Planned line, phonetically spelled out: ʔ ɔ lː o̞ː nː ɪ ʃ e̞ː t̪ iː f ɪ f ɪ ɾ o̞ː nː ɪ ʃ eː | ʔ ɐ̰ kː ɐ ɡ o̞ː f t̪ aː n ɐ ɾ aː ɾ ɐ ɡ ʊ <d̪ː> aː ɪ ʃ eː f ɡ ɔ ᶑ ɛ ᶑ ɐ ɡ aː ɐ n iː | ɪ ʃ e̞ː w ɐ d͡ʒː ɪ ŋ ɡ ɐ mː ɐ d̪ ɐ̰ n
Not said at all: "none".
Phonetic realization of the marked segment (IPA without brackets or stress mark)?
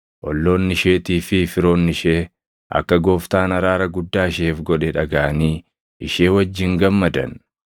d̪ː